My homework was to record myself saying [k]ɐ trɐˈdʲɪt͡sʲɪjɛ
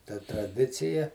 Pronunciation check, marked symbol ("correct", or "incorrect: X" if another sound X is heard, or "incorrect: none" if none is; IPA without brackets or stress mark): incorrect: t